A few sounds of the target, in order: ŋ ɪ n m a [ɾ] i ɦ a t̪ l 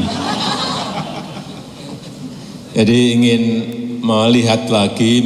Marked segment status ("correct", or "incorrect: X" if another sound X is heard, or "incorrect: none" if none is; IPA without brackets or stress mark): incorrect: l